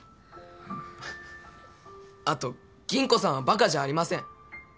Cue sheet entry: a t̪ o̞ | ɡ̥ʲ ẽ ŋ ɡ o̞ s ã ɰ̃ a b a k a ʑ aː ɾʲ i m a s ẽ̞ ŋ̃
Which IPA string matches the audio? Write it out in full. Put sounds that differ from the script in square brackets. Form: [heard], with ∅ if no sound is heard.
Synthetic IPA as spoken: a t̪ o̞ | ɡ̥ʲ [ĩ] ŋ [k] o̞ s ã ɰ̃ a b a k a ʑ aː ɾʲ i m a s ẽ̞ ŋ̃